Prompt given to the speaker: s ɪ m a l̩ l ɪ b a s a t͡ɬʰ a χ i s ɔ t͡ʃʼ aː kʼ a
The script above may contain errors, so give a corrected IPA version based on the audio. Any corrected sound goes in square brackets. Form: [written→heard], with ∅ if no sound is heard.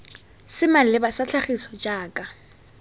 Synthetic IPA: s ɪ m a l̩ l ɪ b a s a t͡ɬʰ a χ i s ɔ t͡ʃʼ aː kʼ a